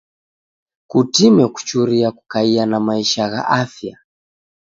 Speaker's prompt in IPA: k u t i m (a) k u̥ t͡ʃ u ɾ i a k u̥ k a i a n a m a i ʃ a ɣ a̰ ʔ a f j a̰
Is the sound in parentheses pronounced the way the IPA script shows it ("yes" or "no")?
no